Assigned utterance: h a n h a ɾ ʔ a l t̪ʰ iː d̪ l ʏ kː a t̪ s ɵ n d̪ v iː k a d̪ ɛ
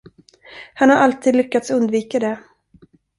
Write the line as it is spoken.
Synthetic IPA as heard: h a n h a ɾ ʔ a l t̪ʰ iː d̪ l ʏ kː a t̪ s ɵ n d̪ v iː k a d̪ ɛ